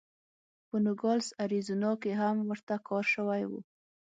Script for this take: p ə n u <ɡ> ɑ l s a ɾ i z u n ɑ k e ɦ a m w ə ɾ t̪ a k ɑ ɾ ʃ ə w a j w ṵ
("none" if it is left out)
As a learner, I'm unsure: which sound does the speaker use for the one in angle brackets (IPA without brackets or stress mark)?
ɡ